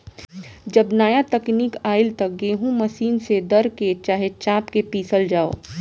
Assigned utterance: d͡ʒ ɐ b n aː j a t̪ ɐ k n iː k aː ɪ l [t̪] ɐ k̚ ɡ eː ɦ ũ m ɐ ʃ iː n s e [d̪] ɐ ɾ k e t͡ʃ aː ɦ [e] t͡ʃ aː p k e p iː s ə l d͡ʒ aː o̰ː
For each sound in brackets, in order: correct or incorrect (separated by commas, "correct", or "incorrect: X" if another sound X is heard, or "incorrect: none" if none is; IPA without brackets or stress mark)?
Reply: correct, correct, correct